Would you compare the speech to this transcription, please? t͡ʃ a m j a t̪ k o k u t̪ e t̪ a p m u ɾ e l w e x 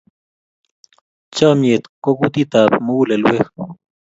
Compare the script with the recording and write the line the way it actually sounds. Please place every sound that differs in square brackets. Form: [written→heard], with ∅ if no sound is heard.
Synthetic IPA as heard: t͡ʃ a m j [a→e] t̪ k o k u t̪ [e→i] t̪ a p m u [ɾ→l] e l w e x

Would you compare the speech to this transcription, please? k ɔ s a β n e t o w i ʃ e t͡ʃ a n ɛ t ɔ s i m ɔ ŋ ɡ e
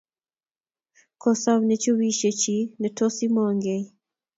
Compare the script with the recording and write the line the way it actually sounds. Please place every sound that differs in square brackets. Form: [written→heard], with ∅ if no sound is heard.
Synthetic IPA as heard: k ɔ s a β n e [t→t͡ʃ] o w i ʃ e t͡ʃ [a→i] n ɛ t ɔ s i m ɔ ŋ ɡ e

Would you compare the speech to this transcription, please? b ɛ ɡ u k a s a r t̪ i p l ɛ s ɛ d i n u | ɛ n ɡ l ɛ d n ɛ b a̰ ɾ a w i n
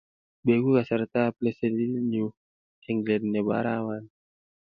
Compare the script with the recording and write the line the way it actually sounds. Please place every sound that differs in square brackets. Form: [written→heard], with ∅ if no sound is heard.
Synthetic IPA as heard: b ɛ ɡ u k a s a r t̪ [i→a] p l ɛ s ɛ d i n u | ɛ [n→ŋ] ɡ l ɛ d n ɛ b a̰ ɾ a w [i→a] n

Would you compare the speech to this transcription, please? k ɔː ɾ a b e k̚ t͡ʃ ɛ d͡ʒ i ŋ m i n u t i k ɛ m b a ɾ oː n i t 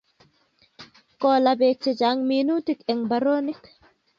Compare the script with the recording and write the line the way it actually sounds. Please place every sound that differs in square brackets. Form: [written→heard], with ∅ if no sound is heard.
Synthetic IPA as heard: k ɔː [ɾ→l] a b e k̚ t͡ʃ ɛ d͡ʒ [i→a] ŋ m i n u t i k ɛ [m→ŋ] b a ɾ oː n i [t→k]

